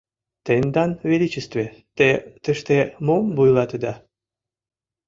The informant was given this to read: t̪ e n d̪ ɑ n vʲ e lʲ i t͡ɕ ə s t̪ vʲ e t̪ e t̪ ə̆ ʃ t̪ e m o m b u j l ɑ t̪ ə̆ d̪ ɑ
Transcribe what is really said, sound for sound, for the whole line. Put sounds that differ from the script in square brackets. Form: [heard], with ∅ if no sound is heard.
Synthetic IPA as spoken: t̪ e n d̪ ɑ n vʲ e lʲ i t͡ɕ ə s t̪ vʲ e t̪ e t̪ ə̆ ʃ t̪ e m o m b u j l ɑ t̪ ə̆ d̪ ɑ